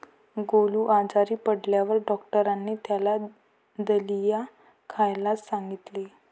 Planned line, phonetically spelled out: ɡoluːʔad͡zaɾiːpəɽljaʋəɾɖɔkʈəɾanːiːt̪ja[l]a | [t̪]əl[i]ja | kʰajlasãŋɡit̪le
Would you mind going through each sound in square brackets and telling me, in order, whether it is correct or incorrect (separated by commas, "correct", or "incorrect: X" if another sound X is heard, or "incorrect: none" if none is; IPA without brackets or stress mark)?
correct, incorrect: d̪, correct